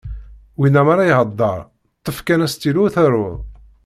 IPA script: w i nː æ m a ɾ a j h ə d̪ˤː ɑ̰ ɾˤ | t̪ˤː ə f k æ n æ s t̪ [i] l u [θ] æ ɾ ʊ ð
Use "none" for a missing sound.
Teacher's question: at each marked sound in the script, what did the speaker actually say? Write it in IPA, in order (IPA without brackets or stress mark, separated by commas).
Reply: i, θ